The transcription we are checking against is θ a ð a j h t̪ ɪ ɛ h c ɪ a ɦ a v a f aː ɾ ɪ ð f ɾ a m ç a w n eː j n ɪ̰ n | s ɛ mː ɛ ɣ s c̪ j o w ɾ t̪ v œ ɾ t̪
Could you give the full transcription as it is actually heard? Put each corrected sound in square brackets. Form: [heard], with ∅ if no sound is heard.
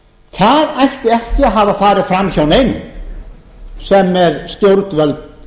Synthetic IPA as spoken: θ a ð a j h t̪ ɪ ɛ h c ɪ a ɦ a v a f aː ɾ ɪ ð f ɾ a m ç a w n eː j n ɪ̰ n | s ɛ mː ɛ [ð] s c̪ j o w ɾ t̪ v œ [l] t̪

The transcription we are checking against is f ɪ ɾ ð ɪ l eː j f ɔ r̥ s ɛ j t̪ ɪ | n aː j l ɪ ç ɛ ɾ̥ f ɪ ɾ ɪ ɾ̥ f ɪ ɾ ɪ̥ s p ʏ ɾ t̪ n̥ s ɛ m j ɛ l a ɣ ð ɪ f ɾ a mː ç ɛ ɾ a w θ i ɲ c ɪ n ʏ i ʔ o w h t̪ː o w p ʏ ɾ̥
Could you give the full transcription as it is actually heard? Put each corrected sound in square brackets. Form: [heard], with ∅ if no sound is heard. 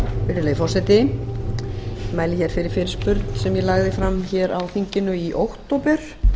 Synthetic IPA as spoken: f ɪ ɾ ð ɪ l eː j f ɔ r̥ s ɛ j t̪ ɪ | [m] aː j l ɪ ç ɛ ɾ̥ f ɪ ɾ ɪ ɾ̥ f ɪ ɾ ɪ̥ s p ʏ ɾ t̪ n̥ s ɛ m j ɛ l a ɣ ð ɪ f ɾ a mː ç ɛ ɾ a w θ i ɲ c ɪ n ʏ i ʔ o w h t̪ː o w p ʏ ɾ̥

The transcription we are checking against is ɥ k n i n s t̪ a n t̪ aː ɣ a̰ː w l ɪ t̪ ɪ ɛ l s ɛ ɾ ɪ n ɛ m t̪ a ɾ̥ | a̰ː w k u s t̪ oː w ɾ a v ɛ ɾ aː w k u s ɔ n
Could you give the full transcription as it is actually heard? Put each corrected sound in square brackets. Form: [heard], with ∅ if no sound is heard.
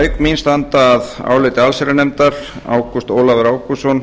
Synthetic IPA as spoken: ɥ k [m] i n s t̪ a n t̪ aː [ð] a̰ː w l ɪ t̪ ɪ [a] l s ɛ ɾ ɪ n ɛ m t̪ a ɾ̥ | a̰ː w k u s t̪ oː w [l] a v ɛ ɾ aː w k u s ɔ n

